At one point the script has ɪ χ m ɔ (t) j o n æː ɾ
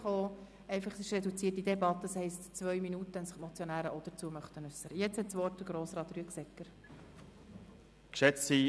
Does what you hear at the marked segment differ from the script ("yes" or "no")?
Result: yes